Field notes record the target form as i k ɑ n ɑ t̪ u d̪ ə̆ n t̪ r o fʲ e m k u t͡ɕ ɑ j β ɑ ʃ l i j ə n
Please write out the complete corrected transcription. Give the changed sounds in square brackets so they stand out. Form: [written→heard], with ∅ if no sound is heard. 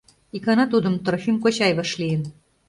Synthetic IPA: i k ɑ n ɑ t̪ u d̪ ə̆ [n→m] t̪ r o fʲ [e→i] m k [u→o] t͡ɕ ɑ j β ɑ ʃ l i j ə n

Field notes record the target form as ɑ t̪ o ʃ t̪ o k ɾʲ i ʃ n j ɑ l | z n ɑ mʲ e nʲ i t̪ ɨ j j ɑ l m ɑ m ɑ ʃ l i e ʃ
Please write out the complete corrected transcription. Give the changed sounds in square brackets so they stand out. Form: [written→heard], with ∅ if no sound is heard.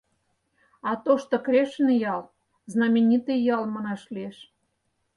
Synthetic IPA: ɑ t̪ o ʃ t̪ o k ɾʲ [i→e] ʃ n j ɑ l | z n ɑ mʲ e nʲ i t̪ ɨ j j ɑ l m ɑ [m→n] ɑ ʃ l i e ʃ

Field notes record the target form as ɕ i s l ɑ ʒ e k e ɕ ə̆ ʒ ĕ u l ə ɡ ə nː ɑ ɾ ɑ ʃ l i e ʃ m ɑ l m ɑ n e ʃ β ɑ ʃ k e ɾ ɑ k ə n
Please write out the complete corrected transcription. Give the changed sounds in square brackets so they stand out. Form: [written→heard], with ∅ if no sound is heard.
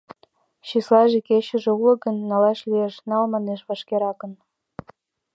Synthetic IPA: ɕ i s l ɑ ʒ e k e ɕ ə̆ ʒ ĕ u l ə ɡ ə nː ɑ [ɾ→l] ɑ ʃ l i e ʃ [m→n] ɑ l m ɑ n e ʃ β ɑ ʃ k e ɾ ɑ k ə n

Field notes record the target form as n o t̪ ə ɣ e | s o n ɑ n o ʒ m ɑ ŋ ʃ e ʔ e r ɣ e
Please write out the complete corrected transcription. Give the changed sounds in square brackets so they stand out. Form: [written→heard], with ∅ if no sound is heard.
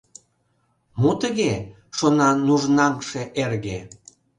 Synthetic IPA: [n→m] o t̪ ə ɣ e | [s→ʃ] o n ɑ n [o→u] ʒ [m→n] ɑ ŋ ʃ e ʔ e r ɣ e

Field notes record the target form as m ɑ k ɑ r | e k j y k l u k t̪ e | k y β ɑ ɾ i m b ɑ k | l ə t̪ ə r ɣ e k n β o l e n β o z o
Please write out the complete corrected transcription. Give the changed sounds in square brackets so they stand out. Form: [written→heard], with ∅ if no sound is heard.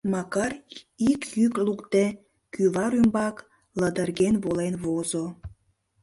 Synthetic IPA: m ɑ k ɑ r | [e→i] k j y k l u k t̪ e | k y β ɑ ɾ [i→y] m b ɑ k | l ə [t̪→d̪] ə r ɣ e [k→∅] n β o l e n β o z o

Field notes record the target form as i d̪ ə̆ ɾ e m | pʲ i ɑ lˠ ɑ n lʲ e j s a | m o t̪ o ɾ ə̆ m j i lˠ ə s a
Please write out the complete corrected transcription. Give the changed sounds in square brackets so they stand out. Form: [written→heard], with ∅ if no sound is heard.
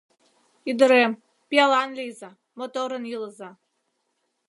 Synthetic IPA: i d̪ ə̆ ɾ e m | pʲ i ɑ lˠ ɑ n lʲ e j [s→z] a | m o t̪ o ɾ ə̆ [m→n] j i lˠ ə [s→z] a

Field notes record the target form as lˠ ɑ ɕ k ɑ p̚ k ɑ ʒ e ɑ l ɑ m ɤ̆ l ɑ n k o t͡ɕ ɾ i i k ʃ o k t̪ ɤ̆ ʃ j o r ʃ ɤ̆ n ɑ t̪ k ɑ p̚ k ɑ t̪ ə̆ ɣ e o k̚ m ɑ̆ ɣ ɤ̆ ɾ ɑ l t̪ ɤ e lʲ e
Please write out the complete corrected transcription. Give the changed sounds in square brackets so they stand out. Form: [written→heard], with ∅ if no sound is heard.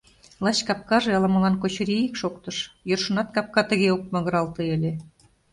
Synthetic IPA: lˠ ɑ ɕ k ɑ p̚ k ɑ ʒ e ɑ l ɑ m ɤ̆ l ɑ n k o t͡ɕ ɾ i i k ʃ o k t̪ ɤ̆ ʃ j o r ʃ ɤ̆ n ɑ t̪ k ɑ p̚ k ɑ t̪ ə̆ ɣ e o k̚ m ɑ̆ ɣ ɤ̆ ɾ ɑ l t̪ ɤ e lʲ e

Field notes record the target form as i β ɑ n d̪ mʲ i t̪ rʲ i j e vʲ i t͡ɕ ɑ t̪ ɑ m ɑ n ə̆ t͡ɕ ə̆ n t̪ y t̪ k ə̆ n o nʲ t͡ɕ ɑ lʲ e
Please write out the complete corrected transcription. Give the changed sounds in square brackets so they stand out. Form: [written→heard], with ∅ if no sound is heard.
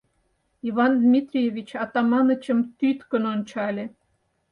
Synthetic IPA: i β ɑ n d̪ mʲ i t̪ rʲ i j e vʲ i t͡ɕ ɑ t̪ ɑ m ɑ n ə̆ t͡ɕ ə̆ [n→m] t̪ y t̪ k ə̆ n o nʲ t͡ɕ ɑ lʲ e

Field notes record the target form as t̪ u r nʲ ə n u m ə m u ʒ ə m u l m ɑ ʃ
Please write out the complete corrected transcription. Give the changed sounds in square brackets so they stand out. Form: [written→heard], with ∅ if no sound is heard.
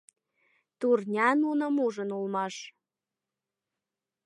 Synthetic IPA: t̪ u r nʲ [ə→ɑ] n u [m→n] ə m u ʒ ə [m→n] u l m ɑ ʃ

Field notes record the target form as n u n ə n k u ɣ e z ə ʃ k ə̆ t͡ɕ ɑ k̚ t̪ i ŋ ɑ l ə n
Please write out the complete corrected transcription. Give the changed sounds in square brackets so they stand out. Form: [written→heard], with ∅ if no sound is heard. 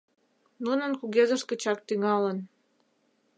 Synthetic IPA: n u n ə n k u ɣ e z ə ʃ k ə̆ t͡ɕ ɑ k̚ t̪ [i→y] ŋ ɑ l ə n

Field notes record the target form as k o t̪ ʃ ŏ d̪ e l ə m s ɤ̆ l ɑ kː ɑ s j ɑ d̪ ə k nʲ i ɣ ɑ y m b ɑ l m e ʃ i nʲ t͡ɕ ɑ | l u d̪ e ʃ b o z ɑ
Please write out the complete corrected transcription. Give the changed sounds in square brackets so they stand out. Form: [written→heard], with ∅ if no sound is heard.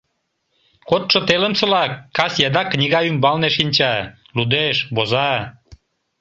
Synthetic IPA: k o t̪ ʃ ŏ [d̪→t̪] e l ə m s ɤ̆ l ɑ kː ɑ s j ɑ d̪ [ə→ɑ] k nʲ i ɣ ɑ y m b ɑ l [m→n] e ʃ i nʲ t͡ɕ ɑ | l u d̪ e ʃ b o z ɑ

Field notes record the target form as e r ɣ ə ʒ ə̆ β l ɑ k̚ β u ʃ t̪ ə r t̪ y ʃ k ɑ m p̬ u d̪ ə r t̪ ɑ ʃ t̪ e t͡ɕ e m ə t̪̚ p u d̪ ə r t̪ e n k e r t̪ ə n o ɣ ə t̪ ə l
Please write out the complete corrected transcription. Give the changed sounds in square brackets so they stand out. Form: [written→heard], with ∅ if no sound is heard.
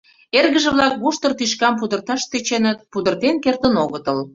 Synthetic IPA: e r ɣ ə ʒ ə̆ β l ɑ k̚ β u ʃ t̪ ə r t̪ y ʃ k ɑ m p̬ u d̪ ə r t̪ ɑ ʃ t̪ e t͡ɕ e [m→n] ə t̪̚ p u d̪ ə r t̪ e n k e r t̪ ə n o ɣ ə t̪ ə l

